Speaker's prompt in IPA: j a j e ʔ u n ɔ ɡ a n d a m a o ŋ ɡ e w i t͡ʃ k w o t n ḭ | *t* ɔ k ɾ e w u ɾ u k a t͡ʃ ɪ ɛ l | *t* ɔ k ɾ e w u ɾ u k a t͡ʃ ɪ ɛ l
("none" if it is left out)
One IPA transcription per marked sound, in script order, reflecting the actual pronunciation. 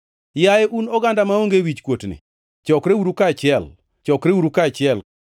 t͡ʃ, t͡ʃ

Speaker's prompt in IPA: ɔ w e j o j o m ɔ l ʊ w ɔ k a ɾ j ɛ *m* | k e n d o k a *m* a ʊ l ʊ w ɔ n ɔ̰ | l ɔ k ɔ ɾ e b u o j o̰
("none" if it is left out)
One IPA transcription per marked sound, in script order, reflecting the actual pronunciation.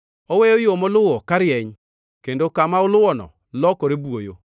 ɲ, m

